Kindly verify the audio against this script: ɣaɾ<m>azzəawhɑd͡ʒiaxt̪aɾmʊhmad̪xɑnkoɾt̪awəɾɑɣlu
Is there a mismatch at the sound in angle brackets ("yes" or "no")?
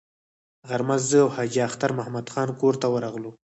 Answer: no